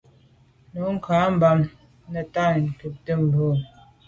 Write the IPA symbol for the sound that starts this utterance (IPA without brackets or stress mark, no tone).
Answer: n